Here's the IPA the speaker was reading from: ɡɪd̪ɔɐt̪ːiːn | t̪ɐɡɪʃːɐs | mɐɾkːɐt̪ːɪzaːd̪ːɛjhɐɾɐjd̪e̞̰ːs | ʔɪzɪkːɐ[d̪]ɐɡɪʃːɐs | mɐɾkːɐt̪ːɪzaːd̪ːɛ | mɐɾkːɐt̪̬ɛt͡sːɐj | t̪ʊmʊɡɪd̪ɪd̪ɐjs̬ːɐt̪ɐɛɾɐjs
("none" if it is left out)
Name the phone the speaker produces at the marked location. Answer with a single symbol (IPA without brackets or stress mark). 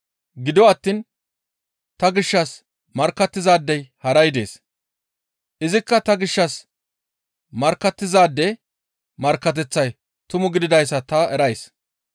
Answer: t̪